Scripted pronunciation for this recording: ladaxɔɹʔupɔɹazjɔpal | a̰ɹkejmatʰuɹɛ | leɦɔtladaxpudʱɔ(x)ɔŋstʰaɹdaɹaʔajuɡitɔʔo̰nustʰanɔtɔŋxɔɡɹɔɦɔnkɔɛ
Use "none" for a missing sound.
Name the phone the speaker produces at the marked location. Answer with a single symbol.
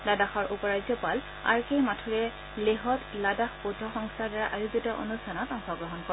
x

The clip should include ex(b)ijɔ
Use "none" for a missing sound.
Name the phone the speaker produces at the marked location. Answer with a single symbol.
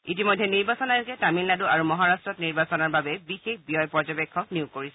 b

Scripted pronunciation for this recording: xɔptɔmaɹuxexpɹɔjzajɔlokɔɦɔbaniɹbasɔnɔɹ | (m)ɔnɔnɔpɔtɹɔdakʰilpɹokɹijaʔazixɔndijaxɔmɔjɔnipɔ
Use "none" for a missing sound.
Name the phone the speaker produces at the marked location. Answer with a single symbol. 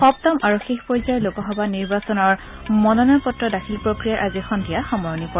m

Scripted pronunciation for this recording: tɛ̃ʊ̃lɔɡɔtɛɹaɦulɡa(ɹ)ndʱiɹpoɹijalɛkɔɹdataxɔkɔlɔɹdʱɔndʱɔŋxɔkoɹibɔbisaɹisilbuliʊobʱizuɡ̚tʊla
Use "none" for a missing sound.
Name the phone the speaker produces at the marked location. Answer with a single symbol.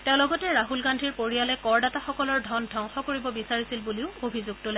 none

